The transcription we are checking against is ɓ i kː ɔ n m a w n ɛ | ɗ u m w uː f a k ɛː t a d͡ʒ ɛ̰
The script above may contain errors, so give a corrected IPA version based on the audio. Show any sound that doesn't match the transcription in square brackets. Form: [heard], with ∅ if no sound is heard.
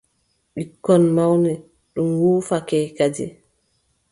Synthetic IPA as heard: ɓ i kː ɔ n m a w n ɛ | ɗ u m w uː f a k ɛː [k] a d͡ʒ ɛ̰